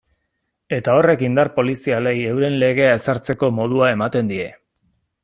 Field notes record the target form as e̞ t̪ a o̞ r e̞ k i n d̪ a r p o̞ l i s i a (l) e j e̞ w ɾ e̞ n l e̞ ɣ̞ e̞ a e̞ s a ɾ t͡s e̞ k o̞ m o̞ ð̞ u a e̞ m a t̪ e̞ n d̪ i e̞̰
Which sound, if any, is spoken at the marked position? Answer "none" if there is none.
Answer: l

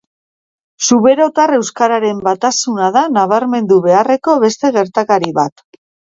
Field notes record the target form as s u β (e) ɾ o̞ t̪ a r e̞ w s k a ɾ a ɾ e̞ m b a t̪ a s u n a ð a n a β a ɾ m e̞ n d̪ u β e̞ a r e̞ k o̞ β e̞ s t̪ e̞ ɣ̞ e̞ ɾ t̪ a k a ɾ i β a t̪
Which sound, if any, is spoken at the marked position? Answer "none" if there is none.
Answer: e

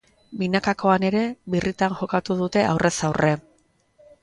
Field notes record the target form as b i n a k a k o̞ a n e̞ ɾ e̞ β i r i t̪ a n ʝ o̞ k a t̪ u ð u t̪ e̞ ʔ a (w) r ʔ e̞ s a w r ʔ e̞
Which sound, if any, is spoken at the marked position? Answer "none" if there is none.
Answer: w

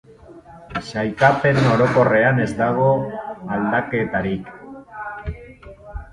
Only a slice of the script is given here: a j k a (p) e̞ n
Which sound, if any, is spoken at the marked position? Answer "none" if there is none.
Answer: p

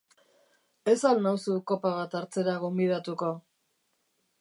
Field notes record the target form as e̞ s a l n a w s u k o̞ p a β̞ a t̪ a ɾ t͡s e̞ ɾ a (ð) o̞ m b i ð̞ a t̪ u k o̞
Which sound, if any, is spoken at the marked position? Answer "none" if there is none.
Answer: ɣ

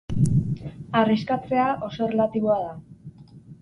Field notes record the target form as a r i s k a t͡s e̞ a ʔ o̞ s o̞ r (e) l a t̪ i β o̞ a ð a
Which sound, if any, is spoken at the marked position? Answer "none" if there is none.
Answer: e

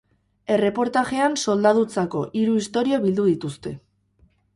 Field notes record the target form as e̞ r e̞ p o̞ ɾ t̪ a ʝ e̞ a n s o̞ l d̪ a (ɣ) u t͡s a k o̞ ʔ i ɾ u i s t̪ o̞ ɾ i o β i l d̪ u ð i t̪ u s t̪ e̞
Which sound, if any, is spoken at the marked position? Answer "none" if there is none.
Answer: ð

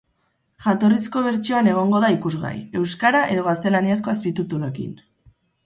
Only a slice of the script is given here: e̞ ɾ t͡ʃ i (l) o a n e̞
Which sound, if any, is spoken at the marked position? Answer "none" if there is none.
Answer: none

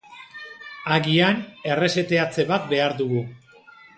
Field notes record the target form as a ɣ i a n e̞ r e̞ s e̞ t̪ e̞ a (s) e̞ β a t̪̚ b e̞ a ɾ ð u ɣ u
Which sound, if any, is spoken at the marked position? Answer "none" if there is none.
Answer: t͡s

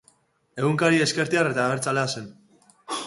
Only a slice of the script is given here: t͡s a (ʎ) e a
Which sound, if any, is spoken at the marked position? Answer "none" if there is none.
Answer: l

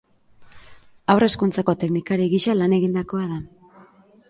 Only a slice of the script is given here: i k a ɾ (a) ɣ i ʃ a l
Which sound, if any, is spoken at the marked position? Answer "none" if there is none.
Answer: i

